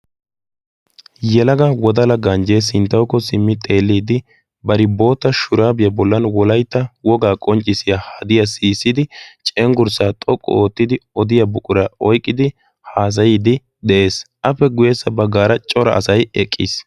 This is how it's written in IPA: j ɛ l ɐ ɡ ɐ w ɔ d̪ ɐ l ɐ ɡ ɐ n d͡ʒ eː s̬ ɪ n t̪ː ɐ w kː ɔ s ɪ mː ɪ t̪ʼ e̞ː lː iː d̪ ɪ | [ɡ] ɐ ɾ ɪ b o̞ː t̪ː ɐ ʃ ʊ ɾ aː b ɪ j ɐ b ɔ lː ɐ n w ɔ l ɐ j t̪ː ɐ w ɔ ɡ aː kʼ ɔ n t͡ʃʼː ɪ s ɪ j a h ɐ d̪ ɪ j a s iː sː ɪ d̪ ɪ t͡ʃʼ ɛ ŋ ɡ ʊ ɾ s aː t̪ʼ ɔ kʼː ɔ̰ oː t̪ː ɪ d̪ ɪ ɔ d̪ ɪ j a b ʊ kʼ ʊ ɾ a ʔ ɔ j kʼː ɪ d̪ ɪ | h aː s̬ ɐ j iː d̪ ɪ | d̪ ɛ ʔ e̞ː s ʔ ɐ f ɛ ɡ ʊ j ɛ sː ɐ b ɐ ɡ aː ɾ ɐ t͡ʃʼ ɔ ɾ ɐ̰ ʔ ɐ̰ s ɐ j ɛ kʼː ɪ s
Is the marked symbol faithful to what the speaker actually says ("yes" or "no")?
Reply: no